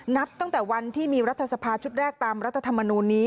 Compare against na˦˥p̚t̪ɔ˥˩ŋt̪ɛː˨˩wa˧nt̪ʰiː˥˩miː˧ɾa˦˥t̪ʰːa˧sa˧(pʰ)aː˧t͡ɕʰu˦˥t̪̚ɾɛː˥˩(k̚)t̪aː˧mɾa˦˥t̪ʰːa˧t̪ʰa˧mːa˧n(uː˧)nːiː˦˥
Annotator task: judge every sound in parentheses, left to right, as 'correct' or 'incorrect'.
correct, correct, correct

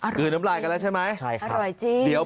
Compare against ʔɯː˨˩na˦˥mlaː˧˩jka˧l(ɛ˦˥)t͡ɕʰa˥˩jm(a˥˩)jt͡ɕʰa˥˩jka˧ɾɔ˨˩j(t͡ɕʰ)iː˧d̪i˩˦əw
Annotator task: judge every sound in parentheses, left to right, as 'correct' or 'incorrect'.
correct, incorrect: a˦˥, incorrect: t͡ɕ

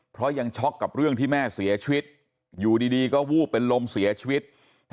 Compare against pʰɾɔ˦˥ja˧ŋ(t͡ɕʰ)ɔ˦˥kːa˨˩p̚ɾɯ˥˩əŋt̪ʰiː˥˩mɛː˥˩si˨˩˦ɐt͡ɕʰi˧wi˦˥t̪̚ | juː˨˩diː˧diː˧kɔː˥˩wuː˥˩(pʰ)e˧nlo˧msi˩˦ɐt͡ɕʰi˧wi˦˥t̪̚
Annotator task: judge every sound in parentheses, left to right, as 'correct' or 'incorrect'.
correct, incorrect: p

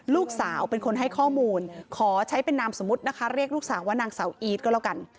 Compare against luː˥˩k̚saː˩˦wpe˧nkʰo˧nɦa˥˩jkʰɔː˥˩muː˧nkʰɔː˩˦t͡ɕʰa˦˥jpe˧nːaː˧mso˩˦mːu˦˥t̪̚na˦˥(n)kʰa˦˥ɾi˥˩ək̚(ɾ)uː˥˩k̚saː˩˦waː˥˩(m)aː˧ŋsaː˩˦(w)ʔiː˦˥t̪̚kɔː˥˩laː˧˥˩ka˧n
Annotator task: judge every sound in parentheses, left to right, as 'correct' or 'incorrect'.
incorrect: none, incorrect: l, incorrect: n, correct

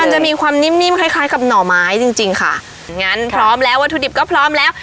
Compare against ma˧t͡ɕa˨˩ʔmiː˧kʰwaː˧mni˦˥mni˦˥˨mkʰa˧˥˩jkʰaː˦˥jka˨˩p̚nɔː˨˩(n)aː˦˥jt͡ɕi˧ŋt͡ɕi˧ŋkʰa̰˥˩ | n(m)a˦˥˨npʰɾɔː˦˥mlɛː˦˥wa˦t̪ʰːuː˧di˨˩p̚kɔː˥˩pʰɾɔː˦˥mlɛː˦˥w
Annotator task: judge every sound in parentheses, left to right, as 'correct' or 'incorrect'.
incorrect: m, incorrect: ŋ

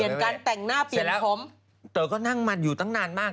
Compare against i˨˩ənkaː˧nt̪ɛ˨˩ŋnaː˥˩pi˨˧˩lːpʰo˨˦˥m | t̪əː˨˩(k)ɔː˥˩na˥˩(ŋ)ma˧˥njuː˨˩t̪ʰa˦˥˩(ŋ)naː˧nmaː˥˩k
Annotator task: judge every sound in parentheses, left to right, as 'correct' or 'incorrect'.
correct, correct, correct

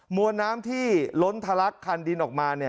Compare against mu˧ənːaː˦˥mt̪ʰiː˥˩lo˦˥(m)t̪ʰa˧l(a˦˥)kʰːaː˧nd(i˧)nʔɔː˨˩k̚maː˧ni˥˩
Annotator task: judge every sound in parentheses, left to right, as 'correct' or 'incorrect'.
incorrect: n, correct, correct

